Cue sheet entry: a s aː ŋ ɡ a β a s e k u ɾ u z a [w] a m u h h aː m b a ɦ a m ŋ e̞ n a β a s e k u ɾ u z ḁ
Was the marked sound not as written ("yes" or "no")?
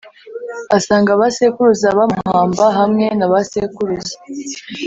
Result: yes